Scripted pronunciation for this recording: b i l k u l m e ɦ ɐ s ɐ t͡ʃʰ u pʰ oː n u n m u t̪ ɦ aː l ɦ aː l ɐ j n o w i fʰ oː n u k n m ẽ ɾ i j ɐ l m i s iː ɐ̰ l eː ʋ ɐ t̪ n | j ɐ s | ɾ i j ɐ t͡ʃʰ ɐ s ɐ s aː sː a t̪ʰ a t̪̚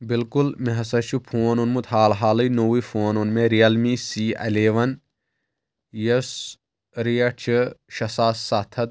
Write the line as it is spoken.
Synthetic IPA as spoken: b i l k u l m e ɦ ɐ s ɐ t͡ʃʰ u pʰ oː n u n m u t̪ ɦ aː l ɦ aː l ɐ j n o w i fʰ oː n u n m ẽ ɾ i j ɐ l m i s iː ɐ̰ l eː ʋ ɐ n | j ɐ s | ɾ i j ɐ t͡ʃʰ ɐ ʃ ɐ s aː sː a t̪ʰ ɐ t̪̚